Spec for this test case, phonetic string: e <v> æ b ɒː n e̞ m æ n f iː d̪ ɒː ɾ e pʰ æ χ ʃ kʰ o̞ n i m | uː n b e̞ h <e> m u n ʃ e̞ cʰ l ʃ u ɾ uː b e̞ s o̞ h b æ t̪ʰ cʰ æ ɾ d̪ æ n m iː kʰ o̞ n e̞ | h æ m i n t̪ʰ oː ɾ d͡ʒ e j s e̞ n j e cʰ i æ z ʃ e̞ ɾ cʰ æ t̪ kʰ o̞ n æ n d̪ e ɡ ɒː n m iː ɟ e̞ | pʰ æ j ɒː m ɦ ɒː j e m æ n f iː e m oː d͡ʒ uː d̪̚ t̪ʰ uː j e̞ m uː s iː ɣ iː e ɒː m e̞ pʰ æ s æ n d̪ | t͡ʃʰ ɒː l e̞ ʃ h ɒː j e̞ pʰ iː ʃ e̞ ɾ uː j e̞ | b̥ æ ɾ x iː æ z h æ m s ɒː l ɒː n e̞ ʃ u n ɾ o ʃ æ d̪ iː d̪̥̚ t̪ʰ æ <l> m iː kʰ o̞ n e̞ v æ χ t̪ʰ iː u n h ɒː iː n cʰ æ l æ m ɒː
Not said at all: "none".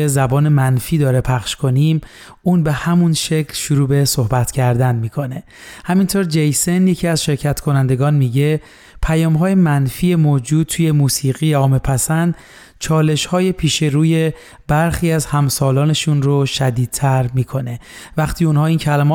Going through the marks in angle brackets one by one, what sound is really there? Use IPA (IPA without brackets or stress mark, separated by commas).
z, æ, ɾ